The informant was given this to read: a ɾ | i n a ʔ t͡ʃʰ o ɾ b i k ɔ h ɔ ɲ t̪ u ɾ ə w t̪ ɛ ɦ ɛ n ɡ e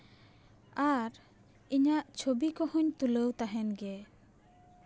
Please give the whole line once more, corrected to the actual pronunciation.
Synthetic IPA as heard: a ɾ | i ɲ a ʔ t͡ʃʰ o b i k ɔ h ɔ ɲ t̪ u l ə w t̪ a ɦ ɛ n ɡ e

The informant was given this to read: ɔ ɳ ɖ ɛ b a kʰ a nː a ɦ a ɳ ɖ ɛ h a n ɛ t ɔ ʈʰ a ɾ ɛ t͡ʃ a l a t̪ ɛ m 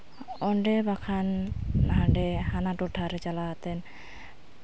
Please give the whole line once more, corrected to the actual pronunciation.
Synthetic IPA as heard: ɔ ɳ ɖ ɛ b a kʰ a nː a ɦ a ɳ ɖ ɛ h a n a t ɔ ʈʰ a ɾ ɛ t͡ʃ a l a t̪ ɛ n

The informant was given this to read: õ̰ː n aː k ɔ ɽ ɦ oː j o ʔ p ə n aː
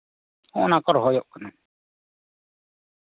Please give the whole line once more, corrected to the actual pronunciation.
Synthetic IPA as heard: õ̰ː n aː k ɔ ɾ ɦ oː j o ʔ k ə n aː

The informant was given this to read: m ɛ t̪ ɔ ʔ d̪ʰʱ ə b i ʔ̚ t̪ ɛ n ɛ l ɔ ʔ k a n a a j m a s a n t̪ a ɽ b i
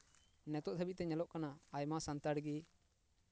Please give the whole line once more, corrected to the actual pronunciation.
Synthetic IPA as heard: n ɛ t̪ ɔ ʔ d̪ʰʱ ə b i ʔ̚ t̪ ɛ ɲ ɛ l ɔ ʔ k a n a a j m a s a n t̪ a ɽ ɡ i

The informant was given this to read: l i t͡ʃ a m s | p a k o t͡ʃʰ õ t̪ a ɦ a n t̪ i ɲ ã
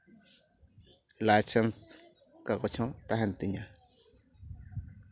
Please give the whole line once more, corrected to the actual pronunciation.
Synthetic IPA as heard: l a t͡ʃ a n s | k a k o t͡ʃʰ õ t̪ a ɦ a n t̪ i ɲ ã

